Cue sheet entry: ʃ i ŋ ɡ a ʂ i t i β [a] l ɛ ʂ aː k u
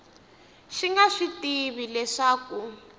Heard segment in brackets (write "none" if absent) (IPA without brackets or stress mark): i